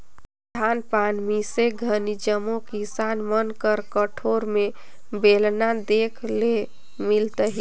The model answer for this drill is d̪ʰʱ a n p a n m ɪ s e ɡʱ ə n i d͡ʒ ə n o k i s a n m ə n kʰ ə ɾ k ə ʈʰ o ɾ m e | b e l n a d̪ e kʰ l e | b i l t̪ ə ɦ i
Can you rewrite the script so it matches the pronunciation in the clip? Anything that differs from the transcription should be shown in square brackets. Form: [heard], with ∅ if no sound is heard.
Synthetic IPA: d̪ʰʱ a n p a n m [i] s e ɡʱ ə n i d͡ʒ ə [m] o k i s a n m ə n [k] ə ɾ k ə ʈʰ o ɾ m e | b e l n a d̪ e kʰ l e | [m] i l t̪ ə ɦ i

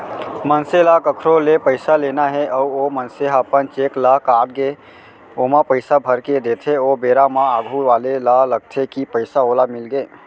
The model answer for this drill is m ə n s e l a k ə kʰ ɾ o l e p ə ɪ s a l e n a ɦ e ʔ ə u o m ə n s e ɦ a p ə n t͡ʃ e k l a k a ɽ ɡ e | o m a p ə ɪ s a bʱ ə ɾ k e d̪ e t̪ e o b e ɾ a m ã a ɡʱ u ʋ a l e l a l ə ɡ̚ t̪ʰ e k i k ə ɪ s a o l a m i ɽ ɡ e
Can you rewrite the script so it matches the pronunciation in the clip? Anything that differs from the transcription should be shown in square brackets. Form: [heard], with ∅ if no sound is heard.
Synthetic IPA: m ə n s e l a k ə kʰ ɾ o l e p ə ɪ s a l e n a ɦ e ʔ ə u o m ə n s e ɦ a p ə n t͡ʃ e k l a k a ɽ ɡ e | o m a p ə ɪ s a bʱ ə ɾ k e d̪ e [t̪ʰ] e o b e ɾ a m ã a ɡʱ u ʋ a l e l a l ə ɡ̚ t̪ʰ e k i [p] ə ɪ s a o l a m i [l] ɡ e

